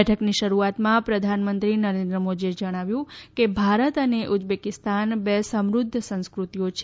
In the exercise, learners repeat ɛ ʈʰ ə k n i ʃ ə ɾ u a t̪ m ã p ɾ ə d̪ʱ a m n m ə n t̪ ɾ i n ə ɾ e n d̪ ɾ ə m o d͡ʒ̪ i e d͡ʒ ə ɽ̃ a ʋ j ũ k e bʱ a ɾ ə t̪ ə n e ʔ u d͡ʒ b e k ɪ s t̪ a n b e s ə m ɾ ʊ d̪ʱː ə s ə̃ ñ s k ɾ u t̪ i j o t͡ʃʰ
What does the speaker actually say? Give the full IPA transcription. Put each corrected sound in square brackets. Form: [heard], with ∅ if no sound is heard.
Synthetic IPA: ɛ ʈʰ ə k n i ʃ ə ɾ u a t̪ m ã p ɾ ə d̪ʱ a [∅] n m ə n t̪ ɾ i n ə ɾ e n d̪ ɾ ə m o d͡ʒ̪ i e d͡ʒ ə ɽ̃ a ʋ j ũ k e bʱ a ɾ ə t̪ ə n e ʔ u d͡ʒ b e k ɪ s t̪ a n b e s ə m ɾ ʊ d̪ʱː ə s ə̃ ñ s k ɾ u t̪ i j o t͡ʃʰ

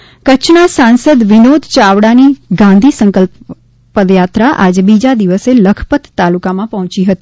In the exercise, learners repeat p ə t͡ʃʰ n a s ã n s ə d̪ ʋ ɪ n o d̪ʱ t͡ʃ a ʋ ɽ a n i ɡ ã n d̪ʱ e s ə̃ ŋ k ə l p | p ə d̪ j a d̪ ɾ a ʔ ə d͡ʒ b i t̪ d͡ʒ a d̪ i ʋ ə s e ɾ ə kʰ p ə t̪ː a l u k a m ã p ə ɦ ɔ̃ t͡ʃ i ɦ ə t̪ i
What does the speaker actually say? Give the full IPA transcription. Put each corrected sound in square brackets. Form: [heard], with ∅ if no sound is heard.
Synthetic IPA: [k] ə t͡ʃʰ n a s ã n s ə d̪ ʋ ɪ n o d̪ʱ t͡ʃ a ʋ ɽ a n i ɡ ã n d̪ʱ [i] s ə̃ ŋ k ə l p | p ə d̪ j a [t̪] ɾ a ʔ [a] d͡ʒ b i [∅] d͡ʒ a d̪ i ʋ ə s e [l] ə kʰ p ə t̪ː a l u k a m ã p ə ɦ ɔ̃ t͡ʃ i ɦ ə t̪ i

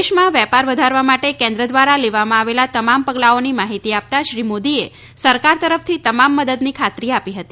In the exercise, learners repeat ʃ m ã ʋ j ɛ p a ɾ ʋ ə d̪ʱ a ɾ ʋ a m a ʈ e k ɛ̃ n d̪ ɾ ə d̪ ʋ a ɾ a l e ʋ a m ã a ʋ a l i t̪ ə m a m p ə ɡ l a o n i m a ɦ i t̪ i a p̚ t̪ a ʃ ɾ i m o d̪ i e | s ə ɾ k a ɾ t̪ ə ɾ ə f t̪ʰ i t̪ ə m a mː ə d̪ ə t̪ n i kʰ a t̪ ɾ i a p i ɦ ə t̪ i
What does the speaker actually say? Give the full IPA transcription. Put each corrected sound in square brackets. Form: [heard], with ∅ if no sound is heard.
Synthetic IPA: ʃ m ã ʋ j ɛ p a ɾ ʋ ə d̪ʱ a ɾ ʋ a m a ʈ e k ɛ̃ n d̪ ɾ ə d̪ ʋ a ɾ a l e ʋ a m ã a ʋ [e] l [a] t̪ ə m a m p ə ɡ l a o n i m a ɦ i t̪ i a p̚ t̪ a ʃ ɾ i m o d̪ i e | s ə ɾ k a ɾ t̪ ə ɾ ə f t̪ʰ i t̪ ə m a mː ə d̪ ə [d̪] n i kʰ a t̪ ɾ i a p i ɦ ə t̪ i

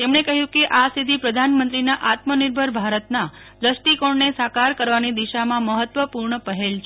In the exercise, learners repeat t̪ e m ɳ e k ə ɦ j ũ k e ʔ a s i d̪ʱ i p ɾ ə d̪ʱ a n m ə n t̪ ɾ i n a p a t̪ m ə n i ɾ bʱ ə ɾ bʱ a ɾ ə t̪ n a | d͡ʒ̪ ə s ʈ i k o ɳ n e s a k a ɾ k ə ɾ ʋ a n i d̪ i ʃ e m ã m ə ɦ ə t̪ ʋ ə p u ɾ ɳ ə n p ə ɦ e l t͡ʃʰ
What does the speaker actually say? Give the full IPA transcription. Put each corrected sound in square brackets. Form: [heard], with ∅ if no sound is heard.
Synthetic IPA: t̪ e m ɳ e k ə ɦ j ũ k e ʔ a s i d̪ʱ i p ɾ ə d̪ʱ a n m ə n t̪ ɾ i n a [ʔ] a t̪ m ə n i ɾ bʱ ə ɾ bʱ a ɾ ə t̪ n a | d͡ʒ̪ ə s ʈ i k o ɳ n e s a k a ɾ k ə ɾ ʋ a n i d̪ i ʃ [a] m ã m ə ɦ ə t̪ ʋ ə p u ɾ ɳ ə [∅] p ə ɦ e l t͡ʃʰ

